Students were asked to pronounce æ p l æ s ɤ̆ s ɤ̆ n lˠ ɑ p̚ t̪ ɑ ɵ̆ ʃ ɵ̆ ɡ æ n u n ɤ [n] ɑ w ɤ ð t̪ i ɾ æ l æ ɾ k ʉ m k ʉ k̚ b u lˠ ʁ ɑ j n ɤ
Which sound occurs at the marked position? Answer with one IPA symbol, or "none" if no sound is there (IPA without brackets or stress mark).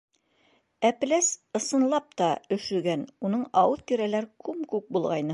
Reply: ɴ